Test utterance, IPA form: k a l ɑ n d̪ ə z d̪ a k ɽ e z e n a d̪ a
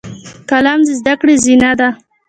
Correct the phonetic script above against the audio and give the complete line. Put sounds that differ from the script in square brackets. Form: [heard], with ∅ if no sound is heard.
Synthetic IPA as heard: k a l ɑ [m] d̪ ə z d̪ a k ɽ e z [i] n a d̪ a